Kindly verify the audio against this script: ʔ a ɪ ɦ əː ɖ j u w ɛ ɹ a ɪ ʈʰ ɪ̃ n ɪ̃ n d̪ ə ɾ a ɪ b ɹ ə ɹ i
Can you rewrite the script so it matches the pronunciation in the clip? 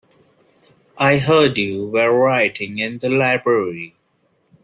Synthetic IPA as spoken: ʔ a ɪ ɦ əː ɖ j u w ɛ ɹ a ɪ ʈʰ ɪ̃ ŋ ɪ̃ n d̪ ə l a ɪ b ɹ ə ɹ i